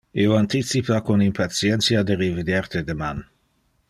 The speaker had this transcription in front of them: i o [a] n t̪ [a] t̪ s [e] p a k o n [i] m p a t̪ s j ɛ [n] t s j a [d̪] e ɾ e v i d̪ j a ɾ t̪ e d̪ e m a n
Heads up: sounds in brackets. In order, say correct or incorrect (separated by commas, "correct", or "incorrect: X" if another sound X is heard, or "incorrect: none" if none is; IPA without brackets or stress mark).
correct, incorrect: i, incorrect: i, correct, correct, correct